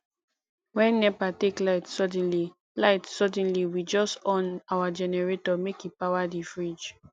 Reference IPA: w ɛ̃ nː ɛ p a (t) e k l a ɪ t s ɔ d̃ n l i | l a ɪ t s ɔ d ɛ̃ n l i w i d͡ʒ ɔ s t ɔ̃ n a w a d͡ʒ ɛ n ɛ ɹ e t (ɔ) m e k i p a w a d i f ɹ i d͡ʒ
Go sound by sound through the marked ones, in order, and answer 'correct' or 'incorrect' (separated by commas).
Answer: correct, correct